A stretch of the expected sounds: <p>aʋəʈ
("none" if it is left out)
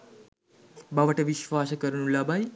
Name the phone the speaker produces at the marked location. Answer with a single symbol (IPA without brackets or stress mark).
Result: b